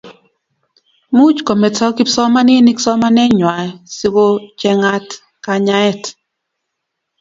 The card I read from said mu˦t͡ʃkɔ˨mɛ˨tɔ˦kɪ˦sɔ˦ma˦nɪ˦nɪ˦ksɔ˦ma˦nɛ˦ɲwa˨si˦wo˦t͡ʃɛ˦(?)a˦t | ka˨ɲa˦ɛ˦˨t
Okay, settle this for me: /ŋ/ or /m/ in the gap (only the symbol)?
ŋ